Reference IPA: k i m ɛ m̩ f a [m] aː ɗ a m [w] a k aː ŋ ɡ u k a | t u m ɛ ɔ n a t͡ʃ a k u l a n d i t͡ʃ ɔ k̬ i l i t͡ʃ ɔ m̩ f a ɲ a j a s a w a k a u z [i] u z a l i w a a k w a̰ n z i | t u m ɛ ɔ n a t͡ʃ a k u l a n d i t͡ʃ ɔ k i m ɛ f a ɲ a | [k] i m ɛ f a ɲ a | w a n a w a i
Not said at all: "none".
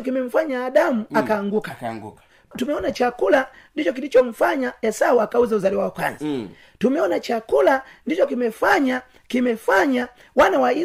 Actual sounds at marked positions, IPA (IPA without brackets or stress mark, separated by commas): ɲ, u, a, k